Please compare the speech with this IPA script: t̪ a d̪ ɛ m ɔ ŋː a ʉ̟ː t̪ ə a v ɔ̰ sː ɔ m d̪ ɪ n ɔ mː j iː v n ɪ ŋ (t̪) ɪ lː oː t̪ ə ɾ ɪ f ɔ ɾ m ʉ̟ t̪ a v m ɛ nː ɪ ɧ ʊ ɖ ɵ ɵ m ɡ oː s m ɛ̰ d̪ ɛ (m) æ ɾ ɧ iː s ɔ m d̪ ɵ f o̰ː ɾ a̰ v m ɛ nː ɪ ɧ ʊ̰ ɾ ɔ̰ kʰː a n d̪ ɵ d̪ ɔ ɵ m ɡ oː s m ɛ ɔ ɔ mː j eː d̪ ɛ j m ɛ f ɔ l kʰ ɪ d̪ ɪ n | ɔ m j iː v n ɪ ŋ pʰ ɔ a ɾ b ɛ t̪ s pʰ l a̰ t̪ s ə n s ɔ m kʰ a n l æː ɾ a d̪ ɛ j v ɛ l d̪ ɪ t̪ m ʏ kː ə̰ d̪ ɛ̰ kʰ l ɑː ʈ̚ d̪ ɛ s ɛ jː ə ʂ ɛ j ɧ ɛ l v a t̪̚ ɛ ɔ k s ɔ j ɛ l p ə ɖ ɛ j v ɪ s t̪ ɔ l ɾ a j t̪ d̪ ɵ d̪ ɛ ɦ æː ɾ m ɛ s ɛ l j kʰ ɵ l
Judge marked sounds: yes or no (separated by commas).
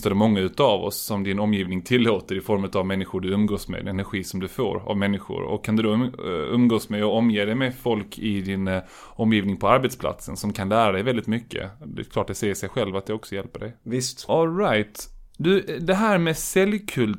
no, no